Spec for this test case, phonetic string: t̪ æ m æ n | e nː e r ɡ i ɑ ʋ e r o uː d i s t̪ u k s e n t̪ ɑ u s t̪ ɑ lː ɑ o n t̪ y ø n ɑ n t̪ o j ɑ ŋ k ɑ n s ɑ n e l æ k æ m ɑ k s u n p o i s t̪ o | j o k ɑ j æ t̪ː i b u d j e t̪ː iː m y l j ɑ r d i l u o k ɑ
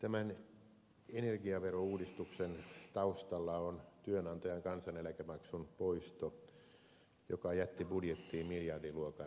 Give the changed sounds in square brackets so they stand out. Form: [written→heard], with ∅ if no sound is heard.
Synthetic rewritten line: t̪ æ m æ n | e [nː→n] e r ɡ i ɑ ʋ e r o uː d i s t̪ u k s e n t̪ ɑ u s t̪ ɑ lː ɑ o n t̪ y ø n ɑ n t̪ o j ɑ ŋ k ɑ n s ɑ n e l æ k æ m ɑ k s u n p o i s t̪ o | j o k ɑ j æ t̪ː i b u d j e t̪ː iː m [y→i] l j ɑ r d i l u o k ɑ